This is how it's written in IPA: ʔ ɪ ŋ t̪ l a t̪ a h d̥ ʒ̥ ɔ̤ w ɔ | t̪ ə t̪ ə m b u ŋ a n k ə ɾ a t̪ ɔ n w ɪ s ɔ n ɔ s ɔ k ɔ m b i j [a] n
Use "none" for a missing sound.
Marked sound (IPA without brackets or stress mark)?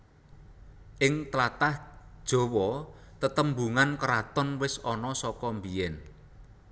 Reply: ɛ